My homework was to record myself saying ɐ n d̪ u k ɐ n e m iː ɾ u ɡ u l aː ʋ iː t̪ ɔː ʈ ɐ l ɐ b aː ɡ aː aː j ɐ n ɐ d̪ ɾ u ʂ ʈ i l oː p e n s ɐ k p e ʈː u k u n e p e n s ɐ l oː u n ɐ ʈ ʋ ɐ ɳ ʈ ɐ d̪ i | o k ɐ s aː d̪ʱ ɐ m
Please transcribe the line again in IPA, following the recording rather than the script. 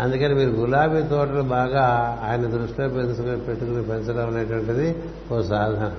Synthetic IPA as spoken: ɐ n d̪ u k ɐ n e m iː ɾ u ɡ u l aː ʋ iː t̪ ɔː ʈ ɐ l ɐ b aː ɡ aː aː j ɐ n ɐ d̪ ɾ u ʂ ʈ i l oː p e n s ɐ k p e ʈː u k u n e p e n s ɐ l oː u n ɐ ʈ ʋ ɐ ɳ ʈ ɐ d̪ i | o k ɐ s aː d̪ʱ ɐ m